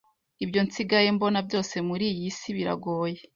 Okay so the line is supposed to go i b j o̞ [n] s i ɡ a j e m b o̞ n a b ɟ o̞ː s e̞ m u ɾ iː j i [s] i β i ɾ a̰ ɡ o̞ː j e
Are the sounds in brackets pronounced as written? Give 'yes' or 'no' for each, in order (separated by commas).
yes, yes